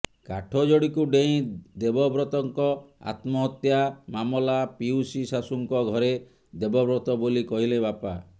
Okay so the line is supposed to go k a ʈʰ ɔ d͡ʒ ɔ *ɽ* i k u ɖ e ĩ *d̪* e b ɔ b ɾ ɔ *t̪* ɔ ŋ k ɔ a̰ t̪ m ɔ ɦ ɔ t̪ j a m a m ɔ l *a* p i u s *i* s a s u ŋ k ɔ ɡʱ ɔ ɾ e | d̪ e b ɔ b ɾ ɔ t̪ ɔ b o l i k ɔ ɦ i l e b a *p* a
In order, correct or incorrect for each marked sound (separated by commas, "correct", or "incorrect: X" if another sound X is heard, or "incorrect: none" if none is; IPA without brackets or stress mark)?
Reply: correct, correct, correct, correct, correct, correct